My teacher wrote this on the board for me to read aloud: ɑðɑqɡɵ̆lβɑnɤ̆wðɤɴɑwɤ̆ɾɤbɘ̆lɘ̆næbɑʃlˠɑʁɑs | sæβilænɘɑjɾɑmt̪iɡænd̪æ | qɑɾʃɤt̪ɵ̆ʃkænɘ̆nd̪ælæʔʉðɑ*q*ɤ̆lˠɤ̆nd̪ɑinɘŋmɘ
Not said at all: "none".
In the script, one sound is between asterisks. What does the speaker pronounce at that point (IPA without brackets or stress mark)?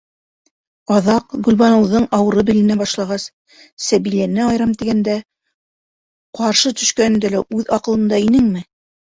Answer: q